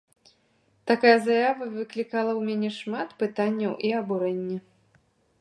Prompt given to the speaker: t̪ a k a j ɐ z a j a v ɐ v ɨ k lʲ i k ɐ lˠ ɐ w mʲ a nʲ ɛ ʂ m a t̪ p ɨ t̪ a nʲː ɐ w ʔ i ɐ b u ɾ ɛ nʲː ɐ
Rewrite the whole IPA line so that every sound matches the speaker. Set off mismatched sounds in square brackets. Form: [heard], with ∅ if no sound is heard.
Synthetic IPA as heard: t̪ a k a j ɐ z a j a v ɐ v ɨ k lʲ i k [a] lˠ ɐ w mʲ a nʲ ɛ ʂ m a t̪ p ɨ t̪ a nʲː ɐ w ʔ i ɐ b u ɾ ɛ nʲː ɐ